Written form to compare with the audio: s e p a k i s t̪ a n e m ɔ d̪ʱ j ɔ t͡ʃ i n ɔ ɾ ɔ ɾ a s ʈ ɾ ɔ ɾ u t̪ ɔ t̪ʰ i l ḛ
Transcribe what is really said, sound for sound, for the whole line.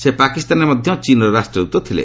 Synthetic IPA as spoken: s e p a k i s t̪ a n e m ɔ d̪ʱ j ɔ t͡ʃ i n ɔ ɾ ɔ ɾ a s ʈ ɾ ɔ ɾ u t̪ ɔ t̪ʰ i l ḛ